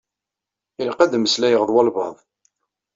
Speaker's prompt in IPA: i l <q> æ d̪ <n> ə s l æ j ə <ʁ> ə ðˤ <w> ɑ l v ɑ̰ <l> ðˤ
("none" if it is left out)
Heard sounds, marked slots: q, m, ʁ, w, none

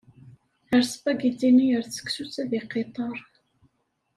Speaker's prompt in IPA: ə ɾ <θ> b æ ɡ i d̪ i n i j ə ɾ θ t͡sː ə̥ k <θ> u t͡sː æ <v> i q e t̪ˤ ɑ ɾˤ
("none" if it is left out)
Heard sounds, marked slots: s, s, ð

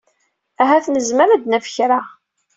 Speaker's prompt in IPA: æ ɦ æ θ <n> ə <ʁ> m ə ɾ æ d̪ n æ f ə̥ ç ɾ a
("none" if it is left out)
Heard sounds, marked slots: n, z

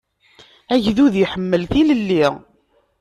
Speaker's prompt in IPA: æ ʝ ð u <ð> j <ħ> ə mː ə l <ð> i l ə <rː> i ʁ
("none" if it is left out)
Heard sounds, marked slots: ð, ħ, θ, lː

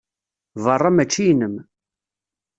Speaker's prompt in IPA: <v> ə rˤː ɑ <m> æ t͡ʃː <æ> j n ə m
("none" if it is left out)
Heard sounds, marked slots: v, m, i

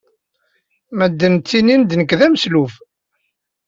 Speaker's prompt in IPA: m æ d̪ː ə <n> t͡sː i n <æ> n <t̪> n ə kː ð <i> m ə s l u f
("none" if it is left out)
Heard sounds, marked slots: n, i, d̪, æ

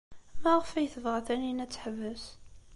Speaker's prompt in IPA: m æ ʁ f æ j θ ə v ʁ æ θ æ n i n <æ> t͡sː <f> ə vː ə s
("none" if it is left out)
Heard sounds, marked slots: æ, ħ

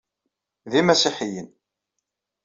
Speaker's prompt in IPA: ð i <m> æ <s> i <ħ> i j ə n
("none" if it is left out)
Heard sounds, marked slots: m, s, ħ

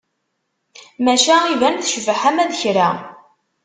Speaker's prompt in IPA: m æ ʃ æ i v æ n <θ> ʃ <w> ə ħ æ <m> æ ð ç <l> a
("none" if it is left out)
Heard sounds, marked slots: θ, v, m, ɾ

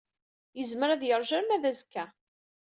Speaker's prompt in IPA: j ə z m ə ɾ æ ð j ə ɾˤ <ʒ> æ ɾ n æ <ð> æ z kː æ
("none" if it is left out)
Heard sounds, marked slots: ʒ, ð

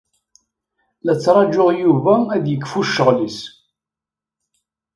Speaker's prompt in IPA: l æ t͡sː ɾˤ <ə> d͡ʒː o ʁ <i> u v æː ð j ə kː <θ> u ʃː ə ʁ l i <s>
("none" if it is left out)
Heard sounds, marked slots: ɑ, j, f, s

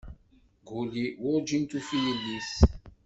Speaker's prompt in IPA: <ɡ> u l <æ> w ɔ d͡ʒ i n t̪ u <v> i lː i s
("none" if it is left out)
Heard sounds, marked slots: ɡ, i, f

